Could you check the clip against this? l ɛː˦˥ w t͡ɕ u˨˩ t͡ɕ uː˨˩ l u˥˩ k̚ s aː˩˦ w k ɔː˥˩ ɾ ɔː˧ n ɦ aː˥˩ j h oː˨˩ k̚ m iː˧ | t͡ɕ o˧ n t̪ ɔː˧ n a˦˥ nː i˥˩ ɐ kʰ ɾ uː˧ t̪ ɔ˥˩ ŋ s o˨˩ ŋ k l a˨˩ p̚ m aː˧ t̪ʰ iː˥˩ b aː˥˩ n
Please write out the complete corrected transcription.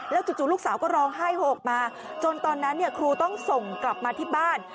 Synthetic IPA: l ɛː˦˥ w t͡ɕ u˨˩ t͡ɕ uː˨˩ l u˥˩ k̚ s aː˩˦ w k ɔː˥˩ ɾ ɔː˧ ŋ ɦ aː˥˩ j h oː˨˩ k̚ m aː˧ | t͡ɕ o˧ n t̪ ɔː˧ nː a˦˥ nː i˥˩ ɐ kʰ ɾ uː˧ t̪ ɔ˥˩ ŋ s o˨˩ ŋ k l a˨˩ p̚ m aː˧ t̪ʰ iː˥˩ b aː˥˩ n